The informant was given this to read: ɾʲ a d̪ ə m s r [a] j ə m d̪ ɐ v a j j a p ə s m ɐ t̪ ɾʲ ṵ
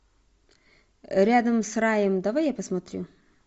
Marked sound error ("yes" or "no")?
no